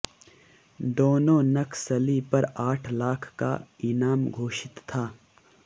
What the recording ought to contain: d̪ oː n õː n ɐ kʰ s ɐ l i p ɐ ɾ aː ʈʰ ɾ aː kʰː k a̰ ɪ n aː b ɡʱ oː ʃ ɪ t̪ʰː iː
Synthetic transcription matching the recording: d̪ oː n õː n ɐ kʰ s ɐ l i p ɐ ɾ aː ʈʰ l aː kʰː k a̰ ɪ n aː m ɡʱ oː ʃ ɪ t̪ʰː aː